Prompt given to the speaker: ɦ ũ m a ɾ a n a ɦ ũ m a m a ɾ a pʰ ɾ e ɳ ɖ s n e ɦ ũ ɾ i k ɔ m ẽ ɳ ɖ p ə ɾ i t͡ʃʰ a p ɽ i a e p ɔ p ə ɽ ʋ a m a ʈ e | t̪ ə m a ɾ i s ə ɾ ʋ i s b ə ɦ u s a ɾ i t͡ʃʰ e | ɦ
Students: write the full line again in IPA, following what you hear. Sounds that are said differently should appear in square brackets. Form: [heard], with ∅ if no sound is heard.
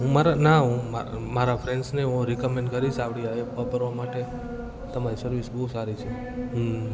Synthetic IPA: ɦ ũ m a ɾ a n a ɦ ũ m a m a ɾ a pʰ ɾ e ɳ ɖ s n e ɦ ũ ɾ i k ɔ m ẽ ɳ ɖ [k] ə ɾ i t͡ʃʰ a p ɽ i a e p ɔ p ə [ɾ] ʋ a m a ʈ e | t̪ ə m a ɾ i s ə ɾ ʋ i s b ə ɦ u s a ɾ i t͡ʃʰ e | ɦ